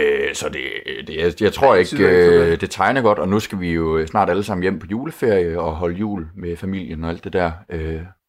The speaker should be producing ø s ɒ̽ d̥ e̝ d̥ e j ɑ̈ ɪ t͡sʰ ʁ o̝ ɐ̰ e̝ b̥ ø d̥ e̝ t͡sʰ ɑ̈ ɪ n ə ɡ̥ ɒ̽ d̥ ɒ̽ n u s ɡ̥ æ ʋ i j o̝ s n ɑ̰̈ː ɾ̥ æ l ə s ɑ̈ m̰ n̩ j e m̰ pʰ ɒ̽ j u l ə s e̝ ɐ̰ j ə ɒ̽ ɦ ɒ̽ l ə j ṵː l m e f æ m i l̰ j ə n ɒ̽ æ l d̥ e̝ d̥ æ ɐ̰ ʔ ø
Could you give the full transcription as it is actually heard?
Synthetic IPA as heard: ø s ɒ̽ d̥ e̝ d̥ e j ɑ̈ ɪ t͡sʰ ʁ o̝ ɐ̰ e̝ ɡ̥ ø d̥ e̝ t͡sʰ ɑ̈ ɪ n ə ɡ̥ ɒ̽ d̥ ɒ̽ n u s ɡ̥ æ ʋ i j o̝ s n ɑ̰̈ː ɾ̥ æ l ə s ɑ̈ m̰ n̩ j e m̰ pʰ ɒ̽ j uː l ə f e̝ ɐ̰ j ə ɒ̽ ɦ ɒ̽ l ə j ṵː l m e f æ m i l̰ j ə n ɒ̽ æ l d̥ e̝ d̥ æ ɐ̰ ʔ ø